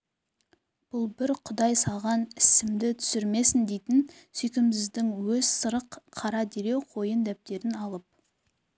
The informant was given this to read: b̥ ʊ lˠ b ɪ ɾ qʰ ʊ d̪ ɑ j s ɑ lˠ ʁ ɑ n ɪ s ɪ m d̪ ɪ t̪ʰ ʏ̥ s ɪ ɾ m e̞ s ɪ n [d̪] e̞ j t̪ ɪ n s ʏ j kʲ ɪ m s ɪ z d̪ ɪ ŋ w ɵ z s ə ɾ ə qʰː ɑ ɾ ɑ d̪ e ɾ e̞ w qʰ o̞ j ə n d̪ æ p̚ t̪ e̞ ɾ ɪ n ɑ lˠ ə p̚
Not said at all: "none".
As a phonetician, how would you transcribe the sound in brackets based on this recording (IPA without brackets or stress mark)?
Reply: d̪